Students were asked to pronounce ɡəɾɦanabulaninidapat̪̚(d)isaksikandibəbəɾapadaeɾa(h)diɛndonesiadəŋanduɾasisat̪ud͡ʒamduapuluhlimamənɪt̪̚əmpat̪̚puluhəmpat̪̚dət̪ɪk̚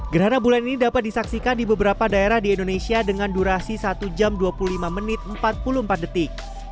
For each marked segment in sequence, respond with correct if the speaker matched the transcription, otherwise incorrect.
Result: correct, correct

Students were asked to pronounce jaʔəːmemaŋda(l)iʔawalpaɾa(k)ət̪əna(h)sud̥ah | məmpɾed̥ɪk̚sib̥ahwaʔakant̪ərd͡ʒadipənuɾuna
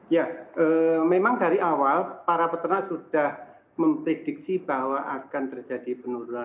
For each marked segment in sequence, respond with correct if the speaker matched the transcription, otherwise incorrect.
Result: incorrect, incorrect, incorrect

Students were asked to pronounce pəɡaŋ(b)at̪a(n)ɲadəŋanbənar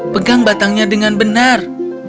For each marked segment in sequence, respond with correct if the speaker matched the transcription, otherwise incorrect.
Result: correct, incorrect

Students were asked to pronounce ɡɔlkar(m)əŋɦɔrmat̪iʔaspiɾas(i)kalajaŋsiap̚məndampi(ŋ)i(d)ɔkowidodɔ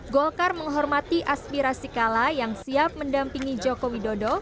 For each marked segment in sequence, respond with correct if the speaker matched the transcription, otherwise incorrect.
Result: correct, correct, correct, incorrect

